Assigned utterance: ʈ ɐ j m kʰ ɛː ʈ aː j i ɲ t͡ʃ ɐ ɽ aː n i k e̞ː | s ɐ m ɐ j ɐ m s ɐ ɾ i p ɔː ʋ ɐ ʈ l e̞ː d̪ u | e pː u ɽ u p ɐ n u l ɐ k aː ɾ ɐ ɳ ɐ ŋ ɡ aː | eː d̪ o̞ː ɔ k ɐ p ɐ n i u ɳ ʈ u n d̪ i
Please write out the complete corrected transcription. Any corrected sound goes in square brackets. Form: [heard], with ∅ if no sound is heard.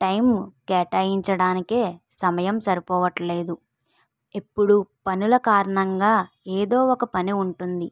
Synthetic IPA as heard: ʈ ɐ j m [k] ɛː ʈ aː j i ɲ t͡ʃ ɐ ɽ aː n i k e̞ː | s ɐ m ɐ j ɐ m s ɐ ɾ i p ɔː ʋ ɐ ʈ l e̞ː d̪ u | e pː u ɽ u p ɐ n u l ɐ k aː ɾ ɐ ɳ ɐ ŋ ɡ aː | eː d̪ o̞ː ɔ k ɐ p ɐ n i u ɳ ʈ u n d̪ i